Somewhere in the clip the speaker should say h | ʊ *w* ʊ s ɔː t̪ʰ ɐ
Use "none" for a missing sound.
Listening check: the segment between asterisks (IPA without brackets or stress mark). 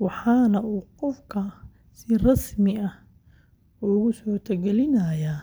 ɣ